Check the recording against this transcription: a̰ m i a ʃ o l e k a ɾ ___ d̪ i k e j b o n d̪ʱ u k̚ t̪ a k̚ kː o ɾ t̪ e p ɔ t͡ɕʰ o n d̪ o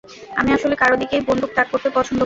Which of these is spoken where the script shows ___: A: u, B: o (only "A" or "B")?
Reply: B